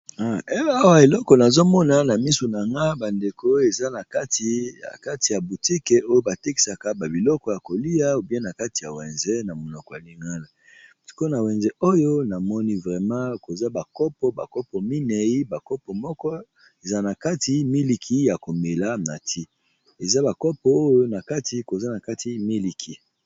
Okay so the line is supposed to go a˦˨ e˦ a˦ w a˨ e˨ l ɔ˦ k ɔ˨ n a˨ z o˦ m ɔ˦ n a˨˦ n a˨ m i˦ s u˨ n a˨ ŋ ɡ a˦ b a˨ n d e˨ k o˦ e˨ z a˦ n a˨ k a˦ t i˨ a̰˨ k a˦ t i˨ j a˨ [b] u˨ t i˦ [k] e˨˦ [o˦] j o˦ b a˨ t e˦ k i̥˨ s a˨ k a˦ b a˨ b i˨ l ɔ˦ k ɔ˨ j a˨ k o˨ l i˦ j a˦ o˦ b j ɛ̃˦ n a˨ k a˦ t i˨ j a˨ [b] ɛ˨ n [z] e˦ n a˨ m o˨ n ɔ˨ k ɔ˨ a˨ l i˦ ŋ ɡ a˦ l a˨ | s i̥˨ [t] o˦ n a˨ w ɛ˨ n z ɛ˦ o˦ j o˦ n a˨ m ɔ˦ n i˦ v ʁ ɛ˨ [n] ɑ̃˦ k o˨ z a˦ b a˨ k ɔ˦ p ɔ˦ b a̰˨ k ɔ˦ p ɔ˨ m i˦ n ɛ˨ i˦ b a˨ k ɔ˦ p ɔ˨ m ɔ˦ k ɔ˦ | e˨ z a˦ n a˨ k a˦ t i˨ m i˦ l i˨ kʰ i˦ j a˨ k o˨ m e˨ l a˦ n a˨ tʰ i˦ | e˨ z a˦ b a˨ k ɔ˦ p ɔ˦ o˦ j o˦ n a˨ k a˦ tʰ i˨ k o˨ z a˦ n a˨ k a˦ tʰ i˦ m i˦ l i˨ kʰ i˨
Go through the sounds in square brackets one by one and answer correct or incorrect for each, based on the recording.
correct, correct, correct, incorrect, correct, incorrect, incorrect

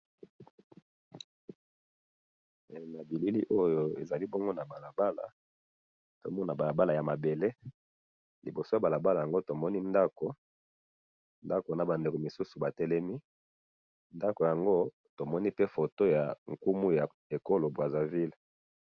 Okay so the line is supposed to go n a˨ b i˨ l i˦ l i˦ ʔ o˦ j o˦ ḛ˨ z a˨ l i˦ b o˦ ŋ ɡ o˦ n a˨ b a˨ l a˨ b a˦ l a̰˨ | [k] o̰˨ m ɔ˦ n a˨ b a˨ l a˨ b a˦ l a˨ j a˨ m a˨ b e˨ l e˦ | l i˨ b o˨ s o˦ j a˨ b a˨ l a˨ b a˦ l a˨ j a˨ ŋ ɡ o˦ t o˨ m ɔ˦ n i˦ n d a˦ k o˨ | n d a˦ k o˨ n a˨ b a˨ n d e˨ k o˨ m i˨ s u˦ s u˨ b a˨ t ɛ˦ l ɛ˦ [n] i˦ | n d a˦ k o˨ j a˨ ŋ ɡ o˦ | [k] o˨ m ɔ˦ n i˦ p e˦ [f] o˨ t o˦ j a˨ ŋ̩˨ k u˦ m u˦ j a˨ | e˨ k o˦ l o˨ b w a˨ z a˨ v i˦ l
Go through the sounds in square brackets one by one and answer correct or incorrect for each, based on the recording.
incorrect, incorrect, incorrect, correct

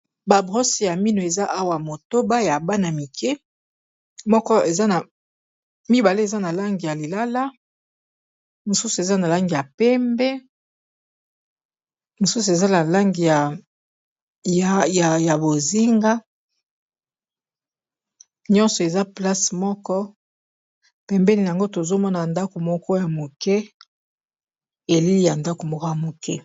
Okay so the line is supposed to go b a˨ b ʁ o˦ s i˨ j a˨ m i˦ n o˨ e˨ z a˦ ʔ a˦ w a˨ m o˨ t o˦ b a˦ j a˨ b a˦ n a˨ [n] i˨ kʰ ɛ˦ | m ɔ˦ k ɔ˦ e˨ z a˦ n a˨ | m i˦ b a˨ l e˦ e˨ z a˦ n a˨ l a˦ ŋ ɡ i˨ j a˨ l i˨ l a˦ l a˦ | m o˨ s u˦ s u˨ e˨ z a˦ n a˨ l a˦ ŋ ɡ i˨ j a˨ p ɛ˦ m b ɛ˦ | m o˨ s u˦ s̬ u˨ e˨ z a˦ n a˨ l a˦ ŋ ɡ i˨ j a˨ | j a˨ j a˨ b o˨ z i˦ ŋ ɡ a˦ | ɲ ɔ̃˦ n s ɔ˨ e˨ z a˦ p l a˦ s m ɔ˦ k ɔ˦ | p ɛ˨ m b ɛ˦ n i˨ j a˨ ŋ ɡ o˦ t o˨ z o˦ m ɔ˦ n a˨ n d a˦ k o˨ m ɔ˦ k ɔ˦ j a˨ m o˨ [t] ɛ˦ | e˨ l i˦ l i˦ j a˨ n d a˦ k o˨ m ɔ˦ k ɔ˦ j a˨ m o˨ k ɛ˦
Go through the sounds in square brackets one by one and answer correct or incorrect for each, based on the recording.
incorrect, incorrect

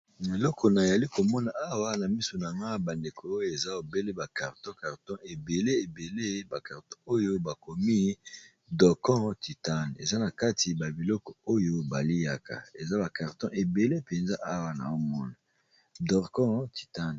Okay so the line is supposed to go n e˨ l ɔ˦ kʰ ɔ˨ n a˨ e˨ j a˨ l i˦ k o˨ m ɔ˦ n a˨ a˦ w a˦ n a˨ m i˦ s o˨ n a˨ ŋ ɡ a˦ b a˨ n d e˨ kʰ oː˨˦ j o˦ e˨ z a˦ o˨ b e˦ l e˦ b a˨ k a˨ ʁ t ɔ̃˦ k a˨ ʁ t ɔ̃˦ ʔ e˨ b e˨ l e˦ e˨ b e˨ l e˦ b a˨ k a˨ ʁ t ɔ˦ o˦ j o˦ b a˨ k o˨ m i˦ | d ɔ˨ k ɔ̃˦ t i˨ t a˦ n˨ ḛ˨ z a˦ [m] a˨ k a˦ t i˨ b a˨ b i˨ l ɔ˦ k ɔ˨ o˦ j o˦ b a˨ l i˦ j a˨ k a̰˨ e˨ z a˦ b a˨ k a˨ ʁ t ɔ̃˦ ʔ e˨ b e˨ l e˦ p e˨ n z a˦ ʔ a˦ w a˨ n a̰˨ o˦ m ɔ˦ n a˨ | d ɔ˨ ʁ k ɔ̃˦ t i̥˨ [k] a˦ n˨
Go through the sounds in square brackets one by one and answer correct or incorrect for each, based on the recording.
incorrect, incorrect

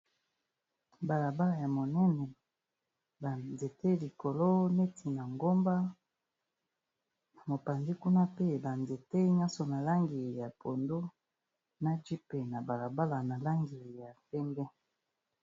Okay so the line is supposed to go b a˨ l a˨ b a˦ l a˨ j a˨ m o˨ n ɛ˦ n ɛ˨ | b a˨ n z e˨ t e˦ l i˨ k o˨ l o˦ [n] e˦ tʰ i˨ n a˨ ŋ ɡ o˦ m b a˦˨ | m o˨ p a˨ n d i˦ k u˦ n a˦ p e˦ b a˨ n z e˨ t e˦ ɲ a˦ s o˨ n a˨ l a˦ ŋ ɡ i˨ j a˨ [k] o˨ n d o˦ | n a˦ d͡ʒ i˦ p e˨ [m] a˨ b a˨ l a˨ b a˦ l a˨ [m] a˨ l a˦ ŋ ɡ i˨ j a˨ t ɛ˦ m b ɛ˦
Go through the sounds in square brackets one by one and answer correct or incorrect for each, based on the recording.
correct, incorrect, incorrect, incorrect

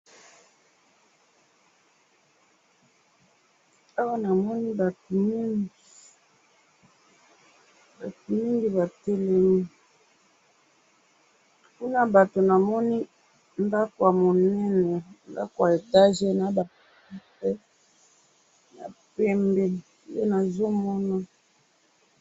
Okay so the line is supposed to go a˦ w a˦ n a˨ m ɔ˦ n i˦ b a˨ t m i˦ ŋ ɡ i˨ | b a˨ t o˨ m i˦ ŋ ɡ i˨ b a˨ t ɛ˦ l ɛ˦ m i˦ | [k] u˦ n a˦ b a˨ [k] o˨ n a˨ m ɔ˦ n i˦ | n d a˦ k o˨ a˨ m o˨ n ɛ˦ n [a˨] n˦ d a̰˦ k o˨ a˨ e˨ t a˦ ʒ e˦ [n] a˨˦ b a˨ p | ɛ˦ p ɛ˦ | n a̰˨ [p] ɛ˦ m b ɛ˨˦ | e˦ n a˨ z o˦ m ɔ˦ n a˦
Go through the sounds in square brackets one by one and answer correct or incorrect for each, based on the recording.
correct, incorrect, incorrect, correct, correct

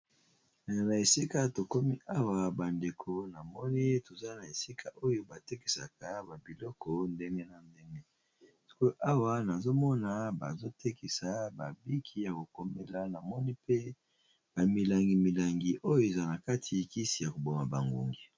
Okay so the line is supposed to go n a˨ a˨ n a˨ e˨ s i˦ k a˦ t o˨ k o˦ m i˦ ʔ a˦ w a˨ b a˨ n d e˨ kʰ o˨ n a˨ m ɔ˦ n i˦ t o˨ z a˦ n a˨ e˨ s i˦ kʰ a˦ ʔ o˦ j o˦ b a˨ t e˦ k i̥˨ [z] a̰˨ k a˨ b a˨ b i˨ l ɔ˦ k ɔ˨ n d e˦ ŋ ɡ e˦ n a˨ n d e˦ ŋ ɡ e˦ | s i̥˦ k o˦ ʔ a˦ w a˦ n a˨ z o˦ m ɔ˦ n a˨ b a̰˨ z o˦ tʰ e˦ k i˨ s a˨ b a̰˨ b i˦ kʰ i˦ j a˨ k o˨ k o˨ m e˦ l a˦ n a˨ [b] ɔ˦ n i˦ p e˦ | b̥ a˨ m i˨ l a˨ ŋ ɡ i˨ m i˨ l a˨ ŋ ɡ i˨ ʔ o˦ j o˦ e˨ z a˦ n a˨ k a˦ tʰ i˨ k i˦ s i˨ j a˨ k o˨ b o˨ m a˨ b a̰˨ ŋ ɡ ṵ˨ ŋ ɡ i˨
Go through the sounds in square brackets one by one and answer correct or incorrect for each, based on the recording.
incorrect, incorrect

